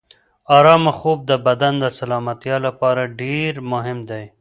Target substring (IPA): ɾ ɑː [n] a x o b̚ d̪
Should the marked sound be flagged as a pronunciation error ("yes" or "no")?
yes